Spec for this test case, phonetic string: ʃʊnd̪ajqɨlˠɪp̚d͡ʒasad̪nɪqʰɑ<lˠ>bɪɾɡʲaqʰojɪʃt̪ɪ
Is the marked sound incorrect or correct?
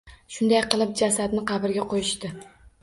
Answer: incorrect